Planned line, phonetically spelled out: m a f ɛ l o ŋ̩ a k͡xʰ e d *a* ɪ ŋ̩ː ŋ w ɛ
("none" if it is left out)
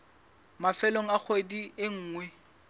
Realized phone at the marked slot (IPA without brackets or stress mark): i